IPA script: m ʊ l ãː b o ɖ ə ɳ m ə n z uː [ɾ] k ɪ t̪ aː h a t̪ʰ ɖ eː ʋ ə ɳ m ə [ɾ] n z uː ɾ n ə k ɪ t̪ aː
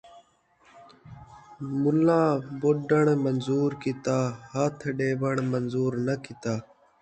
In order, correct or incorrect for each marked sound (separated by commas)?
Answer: correct, incorrect